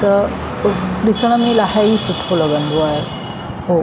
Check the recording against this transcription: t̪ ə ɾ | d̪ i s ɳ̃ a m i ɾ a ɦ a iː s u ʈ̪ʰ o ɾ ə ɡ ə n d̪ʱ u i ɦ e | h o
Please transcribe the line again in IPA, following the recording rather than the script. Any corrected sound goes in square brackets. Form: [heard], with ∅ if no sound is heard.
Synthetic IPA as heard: t̪ ə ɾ | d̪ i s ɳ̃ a m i [l] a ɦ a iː s u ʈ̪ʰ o [l] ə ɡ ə n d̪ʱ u [a] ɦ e | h o